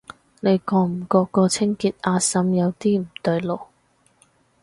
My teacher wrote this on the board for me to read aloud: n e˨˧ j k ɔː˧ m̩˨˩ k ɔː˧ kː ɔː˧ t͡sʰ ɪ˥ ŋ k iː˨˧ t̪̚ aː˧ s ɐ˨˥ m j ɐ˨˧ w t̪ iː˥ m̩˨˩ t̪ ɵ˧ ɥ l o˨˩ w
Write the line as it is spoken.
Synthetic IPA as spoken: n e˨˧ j k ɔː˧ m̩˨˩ k ɔː˧ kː ɔː˧ t͡sʰ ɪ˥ ŋ k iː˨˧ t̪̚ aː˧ s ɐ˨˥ m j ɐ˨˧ w t̪ iː˥ m̩˨˩ t̪ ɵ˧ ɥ l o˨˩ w